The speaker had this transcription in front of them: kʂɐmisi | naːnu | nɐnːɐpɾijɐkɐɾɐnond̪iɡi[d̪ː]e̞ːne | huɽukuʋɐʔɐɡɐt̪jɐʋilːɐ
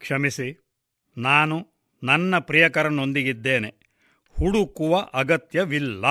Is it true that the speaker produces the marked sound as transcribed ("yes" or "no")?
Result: yes